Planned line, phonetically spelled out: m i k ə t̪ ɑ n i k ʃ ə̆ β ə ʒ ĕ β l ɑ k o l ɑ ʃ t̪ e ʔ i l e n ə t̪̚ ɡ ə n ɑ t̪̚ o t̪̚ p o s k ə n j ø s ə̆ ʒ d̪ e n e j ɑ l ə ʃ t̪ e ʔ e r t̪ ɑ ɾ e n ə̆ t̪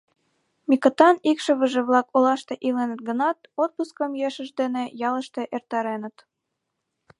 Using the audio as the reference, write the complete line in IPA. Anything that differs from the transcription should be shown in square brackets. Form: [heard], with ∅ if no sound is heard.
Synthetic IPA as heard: m i k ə t̪ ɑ n i k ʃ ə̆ β ə ʒ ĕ β l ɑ k o l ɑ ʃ t̪ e ʔ i l e n ə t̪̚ ɡ ə n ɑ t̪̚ o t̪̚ p [u] s k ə [m] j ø [ʃ] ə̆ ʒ d̪ e n e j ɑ l ə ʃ t̪ e ʔ e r t̪ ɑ ɾ e n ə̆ t̪